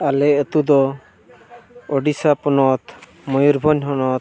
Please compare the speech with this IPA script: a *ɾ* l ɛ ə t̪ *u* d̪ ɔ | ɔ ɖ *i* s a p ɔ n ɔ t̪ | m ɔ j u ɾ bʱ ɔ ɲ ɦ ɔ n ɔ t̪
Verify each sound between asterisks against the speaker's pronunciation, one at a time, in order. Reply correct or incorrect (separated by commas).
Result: incorrect, correct, correct